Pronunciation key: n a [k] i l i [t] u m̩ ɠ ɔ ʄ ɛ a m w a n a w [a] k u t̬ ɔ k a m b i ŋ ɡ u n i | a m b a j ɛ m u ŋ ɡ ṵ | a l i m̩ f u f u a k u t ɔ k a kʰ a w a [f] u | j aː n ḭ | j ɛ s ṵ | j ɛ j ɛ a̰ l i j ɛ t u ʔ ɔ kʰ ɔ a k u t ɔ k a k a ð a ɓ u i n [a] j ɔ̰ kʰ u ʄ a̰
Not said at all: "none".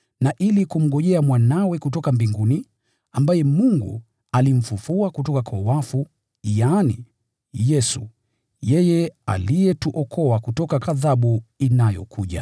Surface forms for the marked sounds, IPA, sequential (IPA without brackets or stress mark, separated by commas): ʔ, k, ɛ, f, a